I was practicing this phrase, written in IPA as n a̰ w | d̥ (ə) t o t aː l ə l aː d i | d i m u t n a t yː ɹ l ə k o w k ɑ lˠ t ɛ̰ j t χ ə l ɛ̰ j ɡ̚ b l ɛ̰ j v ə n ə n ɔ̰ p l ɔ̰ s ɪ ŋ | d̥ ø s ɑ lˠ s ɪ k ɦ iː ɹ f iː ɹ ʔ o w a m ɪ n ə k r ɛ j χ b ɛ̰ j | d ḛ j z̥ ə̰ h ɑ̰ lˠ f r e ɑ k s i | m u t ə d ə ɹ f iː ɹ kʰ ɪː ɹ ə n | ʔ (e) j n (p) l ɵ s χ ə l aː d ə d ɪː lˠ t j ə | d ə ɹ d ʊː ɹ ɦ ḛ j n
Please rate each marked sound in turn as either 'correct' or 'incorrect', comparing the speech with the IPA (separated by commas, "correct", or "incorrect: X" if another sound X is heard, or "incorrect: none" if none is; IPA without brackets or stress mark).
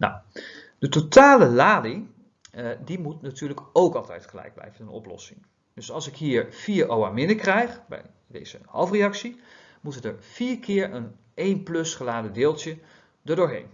correct, correct, correct